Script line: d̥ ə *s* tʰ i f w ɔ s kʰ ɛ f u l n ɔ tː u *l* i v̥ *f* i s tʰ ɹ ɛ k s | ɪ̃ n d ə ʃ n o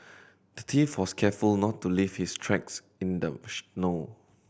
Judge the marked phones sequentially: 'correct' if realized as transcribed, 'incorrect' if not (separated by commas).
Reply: incorrect, correct, incorrect